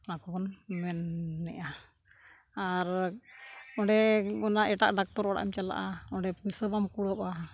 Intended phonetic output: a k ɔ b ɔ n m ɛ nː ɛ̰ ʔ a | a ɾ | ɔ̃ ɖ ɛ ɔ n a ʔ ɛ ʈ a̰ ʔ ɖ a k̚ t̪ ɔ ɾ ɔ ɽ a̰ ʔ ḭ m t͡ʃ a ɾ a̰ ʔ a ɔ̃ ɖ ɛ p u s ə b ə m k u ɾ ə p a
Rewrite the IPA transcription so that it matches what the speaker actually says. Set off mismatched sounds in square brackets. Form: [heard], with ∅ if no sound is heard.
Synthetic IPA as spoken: a k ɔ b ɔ n m ɛ nː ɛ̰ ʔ a | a ɾ | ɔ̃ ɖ ɛ ɔ n a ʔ ɛ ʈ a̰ ʔ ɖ a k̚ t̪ ɔ ɾ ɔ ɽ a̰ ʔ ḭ m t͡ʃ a [l] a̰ ʔ a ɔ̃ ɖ ɛ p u s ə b [a] m k u [ɽ] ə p a